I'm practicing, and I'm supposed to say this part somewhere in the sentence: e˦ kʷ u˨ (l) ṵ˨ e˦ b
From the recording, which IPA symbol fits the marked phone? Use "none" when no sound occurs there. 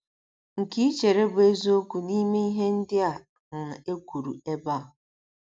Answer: ɾ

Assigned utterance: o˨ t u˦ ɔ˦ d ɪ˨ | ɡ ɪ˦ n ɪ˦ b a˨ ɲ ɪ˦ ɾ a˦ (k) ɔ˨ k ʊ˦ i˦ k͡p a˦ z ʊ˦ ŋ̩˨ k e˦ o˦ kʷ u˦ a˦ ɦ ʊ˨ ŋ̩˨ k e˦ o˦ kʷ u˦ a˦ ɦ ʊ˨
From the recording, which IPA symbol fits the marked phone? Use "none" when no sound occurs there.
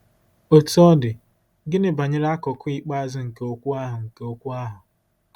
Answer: k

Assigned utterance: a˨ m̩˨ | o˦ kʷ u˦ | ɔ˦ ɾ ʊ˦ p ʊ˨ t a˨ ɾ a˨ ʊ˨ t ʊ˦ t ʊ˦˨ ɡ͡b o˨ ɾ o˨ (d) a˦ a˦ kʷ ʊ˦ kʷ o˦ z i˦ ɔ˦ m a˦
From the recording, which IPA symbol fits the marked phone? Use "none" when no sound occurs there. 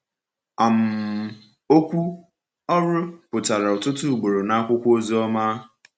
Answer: n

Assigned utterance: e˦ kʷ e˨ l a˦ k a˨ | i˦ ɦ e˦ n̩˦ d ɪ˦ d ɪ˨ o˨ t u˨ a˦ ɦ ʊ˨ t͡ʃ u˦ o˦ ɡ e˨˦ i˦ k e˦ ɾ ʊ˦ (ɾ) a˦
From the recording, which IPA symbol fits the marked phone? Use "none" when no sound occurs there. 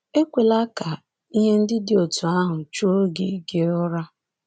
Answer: ɾ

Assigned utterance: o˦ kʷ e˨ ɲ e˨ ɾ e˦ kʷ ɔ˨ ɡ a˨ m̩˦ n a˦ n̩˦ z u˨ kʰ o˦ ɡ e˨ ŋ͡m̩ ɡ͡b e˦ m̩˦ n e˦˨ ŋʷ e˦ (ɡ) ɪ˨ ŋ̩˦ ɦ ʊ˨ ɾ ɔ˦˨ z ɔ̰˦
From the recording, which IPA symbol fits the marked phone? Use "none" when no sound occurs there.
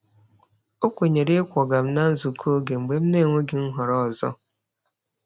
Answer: ɡ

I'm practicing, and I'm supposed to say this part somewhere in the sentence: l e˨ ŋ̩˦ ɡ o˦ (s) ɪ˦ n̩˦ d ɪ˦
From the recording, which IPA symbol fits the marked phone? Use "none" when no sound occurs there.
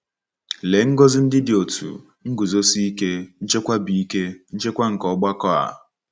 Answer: z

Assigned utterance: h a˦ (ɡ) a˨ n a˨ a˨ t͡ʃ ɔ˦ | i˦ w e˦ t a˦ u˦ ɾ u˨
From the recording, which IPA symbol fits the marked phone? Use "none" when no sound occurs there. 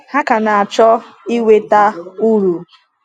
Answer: k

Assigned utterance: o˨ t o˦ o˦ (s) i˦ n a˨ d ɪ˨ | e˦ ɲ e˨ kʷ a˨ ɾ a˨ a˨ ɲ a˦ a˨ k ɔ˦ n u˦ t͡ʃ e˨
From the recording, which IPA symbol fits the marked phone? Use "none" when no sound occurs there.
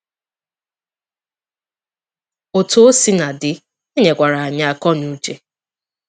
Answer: s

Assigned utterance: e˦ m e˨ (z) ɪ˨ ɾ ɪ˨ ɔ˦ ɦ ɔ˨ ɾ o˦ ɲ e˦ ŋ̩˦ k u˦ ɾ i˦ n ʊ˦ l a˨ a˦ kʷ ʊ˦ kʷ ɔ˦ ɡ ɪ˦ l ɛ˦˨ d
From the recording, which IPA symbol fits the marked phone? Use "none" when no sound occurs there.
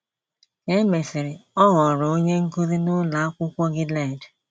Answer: s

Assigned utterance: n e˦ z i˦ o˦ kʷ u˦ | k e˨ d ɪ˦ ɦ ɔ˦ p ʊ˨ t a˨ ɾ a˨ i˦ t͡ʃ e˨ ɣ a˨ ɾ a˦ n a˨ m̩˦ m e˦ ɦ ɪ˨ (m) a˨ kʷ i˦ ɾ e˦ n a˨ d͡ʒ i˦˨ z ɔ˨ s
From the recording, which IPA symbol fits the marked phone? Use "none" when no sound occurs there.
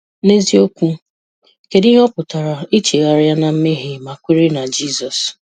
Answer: m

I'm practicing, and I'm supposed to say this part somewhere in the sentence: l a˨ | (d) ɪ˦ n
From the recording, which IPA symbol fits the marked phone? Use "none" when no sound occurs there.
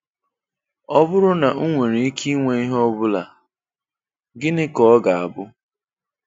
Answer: ɡ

